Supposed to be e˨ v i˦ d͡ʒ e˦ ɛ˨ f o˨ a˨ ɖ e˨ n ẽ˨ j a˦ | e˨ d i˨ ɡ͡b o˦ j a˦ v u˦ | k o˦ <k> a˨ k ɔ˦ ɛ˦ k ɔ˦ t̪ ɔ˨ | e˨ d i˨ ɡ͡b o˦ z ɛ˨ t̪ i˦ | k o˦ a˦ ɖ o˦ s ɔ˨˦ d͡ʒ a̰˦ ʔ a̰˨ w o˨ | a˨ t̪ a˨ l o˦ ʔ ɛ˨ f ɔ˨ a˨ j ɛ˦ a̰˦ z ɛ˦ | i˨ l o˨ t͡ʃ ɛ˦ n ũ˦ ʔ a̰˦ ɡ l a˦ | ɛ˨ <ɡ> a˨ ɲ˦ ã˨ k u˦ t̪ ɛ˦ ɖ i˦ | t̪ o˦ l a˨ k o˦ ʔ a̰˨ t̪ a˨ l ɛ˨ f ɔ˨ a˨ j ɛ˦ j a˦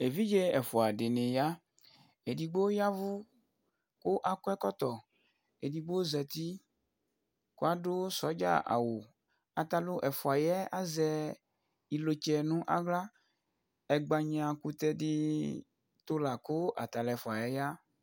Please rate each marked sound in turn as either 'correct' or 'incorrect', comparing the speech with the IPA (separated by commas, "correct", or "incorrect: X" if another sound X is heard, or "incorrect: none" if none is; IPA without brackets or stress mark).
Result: incorrect: ʔ, incorrect: ɡ͡b